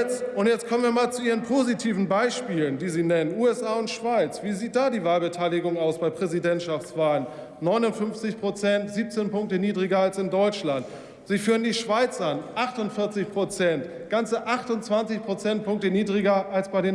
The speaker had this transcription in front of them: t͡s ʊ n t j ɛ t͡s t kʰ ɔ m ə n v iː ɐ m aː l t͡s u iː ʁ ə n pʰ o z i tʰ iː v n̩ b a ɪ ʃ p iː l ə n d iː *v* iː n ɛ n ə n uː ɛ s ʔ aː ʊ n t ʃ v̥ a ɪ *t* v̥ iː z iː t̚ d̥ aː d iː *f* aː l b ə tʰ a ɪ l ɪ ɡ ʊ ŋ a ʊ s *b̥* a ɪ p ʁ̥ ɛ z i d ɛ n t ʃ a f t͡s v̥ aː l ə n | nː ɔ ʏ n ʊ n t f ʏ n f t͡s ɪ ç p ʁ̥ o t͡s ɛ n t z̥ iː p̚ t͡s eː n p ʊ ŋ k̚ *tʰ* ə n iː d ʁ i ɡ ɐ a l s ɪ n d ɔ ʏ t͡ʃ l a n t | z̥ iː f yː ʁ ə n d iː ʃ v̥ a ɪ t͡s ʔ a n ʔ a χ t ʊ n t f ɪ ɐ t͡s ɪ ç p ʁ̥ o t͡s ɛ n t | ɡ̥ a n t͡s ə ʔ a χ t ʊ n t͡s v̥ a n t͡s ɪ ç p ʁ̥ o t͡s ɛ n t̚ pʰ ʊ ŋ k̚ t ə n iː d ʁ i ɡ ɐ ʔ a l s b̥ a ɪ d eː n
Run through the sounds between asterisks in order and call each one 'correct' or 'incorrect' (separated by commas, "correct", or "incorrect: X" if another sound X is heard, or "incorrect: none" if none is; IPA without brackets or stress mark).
incorrect: z, incorrect: t͡s, incorrect: v, correct, incorrect: t